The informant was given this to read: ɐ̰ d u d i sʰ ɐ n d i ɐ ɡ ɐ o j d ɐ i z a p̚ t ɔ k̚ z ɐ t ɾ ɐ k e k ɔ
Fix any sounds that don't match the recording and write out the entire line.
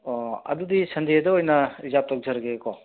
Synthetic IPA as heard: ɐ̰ d u d i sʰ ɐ n d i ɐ d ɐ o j n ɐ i z a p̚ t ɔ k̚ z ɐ ɾ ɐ ɡ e k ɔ